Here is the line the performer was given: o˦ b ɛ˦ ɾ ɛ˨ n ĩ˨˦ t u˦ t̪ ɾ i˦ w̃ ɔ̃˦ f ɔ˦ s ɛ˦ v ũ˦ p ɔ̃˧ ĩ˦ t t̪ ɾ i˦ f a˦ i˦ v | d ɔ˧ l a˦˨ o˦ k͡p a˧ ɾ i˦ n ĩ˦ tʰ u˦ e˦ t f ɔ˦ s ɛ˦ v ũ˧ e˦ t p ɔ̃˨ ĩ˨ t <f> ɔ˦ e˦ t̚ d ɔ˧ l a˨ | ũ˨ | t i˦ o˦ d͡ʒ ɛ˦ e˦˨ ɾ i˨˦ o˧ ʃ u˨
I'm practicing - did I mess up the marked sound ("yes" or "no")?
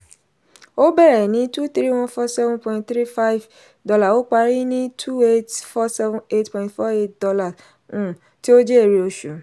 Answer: no